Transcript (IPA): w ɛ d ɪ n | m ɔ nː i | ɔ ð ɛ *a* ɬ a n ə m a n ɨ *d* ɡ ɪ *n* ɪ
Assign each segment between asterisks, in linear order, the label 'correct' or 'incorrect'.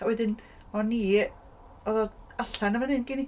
correct, incorrect, correct

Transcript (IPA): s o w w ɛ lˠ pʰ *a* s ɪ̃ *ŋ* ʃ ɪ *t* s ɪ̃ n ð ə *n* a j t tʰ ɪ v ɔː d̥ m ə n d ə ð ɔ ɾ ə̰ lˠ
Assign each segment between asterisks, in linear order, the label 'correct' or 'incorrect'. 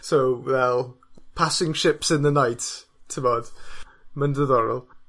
correct, correct, incorrect, correct

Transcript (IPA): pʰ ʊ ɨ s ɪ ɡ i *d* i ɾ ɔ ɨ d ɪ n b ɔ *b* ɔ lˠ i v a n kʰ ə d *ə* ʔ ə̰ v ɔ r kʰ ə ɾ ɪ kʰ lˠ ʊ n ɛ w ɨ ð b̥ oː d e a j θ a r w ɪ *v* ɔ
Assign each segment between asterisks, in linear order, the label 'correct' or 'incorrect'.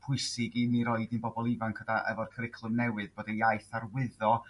incorrect, correct, incorrect, incorrect

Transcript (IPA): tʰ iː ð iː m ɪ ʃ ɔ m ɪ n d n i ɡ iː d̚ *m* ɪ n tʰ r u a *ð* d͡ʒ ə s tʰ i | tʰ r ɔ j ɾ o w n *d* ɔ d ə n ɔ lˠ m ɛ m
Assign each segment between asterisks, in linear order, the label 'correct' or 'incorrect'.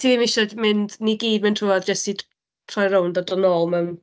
correct, correct, correct

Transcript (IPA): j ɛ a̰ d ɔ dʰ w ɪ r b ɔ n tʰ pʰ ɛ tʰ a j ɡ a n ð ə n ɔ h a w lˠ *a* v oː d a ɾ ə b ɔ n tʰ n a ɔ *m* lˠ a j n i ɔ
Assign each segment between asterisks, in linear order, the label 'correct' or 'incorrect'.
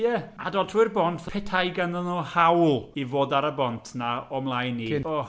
incorrect, correct

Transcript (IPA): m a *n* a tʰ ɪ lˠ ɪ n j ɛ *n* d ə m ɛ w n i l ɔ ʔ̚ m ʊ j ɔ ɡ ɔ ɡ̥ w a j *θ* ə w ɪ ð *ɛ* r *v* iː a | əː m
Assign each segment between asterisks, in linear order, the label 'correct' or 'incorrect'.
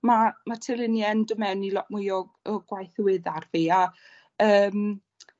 incorrect, correct, correct, incorrect, correct

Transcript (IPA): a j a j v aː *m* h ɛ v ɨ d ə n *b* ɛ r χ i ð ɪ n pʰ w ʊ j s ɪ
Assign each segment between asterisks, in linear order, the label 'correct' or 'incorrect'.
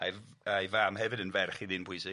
correct, incorrect

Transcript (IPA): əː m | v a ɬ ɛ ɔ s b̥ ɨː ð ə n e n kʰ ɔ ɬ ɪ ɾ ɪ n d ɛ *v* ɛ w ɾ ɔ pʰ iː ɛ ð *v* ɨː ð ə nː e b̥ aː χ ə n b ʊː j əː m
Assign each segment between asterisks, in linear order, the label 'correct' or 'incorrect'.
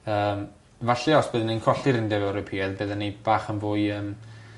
correct, incorrect

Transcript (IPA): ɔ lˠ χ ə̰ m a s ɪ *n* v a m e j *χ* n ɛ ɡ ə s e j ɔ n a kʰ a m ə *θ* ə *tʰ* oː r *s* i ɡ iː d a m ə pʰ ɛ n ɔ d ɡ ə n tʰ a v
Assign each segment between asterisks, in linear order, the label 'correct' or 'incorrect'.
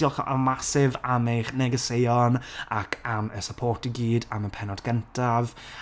incorrect, correct, incorrect, incorrect, incorrect

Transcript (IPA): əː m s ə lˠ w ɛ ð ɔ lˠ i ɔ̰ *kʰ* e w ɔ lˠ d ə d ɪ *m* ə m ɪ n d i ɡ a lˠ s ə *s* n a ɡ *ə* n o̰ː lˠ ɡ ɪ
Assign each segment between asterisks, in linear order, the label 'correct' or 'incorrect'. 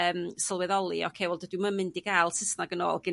correct, correct, correct, correct

